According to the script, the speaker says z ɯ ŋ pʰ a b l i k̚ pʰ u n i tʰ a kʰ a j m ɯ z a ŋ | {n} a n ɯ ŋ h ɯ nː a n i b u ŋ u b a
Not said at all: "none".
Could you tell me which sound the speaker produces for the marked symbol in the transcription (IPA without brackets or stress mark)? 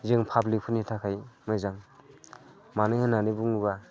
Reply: m